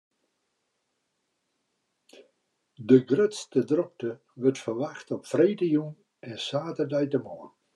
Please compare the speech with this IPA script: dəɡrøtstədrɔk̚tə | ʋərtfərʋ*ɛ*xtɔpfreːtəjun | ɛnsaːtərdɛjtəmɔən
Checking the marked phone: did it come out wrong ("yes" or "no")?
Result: yes